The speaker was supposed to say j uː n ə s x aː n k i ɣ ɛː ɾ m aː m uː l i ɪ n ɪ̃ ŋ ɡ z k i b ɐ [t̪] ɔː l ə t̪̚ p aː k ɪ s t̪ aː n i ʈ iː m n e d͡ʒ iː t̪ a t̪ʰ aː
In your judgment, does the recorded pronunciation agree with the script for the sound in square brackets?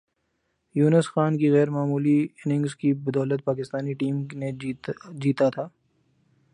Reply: no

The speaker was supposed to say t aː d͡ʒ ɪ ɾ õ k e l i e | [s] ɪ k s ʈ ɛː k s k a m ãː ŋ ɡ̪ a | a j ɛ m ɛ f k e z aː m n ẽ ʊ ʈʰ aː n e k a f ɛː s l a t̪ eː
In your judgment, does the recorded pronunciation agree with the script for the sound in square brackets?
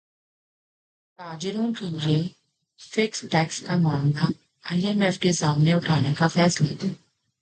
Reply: no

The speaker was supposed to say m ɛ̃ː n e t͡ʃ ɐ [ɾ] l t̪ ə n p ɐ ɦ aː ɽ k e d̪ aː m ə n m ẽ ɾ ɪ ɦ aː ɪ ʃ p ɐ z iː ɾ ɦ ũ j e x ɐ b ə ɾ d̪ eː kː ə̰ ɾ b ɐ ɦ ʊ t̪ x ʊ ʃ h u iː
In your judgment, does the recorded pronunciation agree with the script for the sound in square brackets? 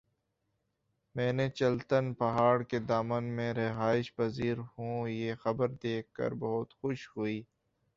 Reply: no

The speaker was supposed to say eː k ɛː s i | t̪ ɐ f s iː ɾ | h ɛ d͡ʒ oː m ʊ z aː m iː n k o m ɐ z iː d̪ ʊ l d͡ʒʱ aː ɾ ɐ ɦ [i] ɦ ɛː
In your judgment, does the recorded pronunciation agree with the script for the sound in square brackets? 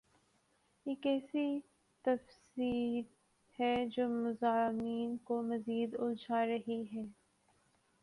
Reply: yes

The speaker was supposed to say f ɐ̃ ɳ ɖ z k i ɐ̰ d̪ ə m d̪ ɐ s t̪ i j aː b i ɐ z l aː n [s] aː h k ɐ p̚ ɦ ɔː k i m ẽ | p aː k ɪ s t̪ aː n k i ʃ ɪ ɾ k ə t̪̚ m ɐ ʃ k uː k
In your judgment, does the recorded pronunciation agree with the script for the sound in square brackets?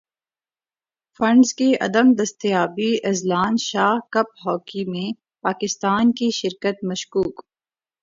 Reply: no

